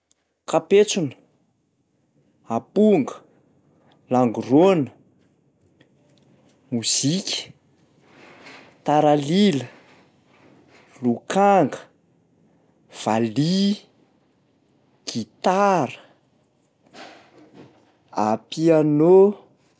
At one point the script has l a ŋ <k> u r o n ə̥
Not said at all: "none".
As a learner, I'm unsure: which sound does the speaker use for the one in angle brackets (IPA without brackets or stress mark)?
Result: ɡ